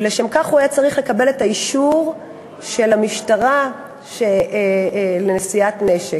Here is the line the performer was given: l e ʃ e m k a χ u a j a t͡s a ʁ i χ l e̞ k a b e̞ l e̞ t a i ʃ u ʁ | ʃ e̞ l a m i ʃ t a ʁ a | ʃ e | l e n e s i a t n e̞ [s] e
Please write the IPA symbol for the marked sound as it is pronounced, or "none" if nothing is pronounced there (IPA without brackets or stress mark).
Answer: ʃ